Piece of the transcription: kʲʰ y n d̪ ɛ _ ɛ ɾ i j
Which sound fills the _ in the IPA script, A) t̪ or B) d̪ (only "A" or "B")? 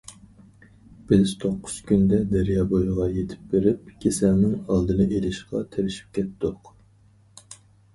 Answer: B